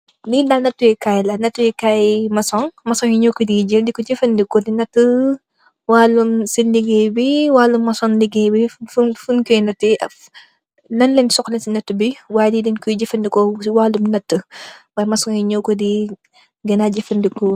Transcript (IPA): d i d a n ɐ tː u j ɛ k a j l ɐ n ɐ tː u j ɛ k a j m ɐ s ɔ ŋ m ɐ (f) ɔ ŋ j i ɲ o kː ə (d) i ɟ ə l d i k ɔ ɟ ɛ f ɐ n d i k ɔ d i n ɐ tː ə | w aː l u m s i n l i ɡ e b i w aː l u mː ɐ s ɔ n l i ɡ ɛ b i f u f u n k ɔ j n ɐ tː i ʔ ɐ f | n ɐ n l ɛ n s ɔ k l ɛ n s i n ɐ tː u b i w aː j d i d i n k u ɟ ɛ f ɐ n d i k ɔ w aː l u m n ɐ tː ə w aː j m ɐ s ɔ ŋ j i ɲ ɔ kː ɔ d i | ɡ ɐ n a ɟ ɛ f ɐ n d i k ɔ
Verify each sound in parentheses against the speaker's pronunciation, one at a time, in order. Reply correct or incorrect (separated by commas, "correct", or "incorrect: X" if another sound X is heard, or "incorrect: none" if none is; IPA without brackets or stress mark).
incorrect: s, correct